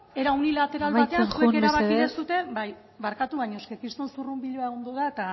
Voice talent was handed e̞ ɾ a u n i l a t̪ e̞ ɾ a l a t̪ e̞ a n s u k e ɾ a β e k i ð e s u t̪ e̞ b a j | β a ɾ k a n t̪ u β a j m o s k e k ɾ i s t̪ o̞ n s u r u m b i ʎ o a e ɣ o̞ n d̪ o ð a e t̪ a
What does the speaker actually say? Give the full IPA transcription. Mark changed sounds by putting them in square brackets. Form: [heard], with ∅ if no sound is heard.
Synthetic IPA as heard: e̞ ɾ a u n i l a t̪ e̞ ɾ a l a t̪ e̞ a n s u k e ɾ a β [a] k i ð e s u t̪ e̞ b a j | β a ɾ k a [∅] t̪ u β a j [ɲ] o s k e k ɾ i s t̪ o̞ n s u r u m b i ʎ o a e ɣ o̞ n d̪ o ð a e t̪ a